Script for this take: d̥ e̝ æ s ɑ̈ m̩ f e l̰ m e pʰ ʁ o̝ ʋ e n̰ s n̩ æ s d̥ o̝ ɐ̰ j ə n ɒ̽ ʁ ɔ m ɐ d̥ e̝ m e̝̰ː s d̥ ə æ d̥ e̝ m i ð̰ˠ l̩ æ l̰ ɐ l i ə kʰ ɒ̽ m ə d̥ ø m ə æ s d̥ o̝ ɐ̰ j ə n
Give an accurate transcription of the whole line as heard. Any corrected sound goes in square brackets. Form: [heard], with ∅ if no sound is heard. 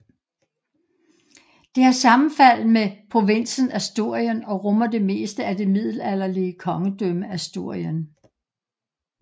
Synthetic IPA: d̥ e̝ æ s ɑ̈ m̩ f [æ] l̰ m e pʰ ʁ o̝ ʋ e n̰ s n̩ æ s d̥ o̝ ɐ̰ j ə n ɒ̽ ʁ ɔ m ɐ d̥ e̝ m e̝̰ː s d̥ ə æ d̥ e̝ m i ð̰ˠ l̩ æ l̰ ɐ l i ə kʰ ɒ̽ [ŋ] ə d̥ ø m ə æ s d̥ o̝ ɐ̰ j ə n